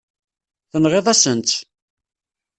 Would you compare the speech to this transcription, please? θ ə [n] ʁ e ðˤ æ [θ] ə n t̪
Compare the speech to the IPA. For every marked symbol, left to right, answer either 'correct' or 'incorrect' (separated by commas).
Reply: correct, incorrect